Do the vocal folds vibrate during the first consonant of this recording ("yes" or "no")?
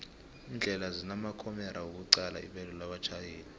yes